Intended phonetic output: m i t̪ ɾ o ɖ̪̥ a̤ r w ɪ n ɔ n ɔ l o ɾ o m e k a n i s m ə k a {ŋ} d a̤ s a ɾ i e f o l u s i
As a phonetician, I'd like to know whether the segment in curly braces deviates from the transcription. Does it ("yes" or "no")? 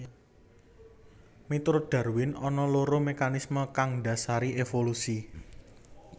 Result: no